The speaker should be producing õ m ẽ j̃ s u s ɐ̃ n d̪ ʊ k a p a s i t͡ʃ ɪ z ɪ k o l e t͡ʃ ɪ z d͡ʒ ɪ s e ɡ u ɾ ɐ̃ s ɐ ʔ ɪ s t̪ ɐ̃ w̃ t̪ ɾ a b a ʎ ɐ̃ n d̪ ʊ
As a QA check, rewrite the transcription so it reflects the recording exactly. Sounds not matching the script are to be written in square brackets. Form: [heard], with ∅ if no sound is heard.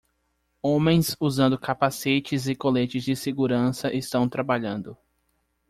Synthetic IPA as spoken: õ m ẽ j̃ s u [z] ɐ̃ n d̪ ʊ k a p a s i t͡ʃ ɪ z ɪ k o l e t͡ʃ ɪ z d͡ʒ ɪ s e ɡ u ɾ ɐ̃ s ɐ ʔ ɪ s t̪ ɐ̃ w̃ t̪ ɾ a b a ʎ ɐ̃ n d̪ ʊ